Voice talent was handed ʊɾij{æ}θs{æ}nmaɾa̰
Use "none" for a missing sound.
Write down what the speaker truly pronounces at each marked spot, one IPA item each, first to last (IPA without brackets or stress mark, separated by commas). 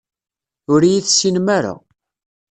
i, i